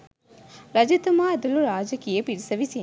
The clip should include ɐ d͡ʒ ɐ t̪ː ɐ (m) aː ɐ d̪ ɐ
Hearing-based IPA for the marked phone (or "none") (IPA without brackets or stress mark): m